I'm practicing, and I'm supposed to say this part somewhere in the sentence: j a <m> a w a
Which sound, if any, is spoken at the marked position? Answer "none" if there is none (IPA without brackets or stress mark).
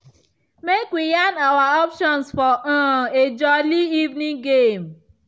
n